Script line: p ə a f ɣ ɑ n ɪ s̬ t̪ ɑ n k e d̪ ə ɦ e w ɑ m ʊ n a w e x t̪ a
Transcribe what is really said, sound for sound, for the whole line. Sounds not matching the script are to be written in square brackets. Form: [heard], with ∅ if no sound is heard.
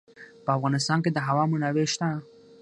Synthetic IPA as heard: p ə a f ɣ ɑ n ɪ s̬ t̪ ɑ n k e d̪ ə ɦ [a] w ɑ m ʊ n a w e [ʃ] t̪ a